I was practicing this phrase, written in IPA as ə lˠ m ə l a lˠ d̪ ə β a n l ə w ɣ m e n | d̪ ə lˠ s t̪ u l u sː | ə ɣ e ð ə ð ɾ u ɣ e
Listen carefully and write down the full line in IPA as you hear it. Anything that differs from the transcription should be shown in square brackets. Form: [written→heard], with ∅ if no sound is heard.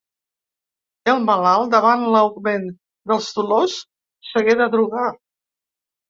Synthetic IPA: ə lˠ m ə l a lˠ d̪ ə β a n l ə w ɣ m e n | d̪ ə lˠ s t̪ u l [u→o] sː | ə ɣ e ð ə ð ɾ u ɣ [e→a]